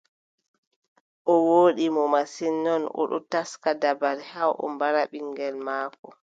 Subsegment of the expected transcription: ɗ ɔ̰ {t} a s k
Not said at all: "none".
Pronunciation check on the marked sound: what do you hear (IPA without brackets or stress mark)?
t